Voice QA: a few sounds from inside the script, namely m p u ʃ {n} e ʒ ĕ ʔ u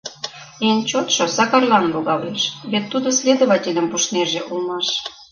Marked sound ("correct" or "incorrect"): correct